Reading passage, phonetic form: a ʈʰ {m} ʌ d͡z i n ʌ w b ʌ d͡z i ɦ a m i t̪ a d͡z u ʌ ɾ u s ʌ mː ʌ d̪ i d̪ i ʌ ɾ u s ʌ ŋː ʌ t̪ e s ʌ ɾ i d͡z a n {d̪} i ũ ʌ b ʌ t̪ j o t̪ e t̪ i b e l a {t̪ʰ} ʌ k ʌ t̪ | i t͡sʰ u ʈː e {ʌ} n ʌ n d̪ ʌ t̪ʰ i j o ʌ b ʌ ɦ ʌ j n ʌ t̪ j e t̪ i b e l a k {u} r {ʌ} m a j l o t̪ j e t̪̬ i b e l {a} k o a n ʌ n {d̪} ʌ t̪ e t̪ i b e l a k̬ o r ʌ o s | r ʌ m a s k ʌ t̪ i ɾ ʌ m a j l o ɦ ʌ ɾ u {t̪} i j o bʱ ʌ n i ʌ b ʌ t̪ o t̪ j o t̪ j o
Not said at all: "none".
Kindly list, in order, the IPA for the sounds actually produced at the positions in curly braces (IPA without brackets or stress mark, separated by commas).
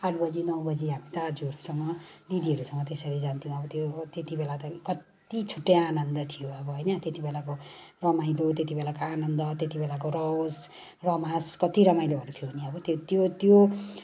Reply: b, t̪, t̪, a, o, ʌ, a, d̪, t̪ʰ